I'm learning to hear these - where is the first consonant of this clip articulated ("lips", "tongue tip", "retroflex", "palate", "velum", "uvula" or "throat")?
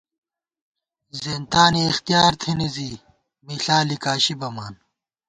tongue tip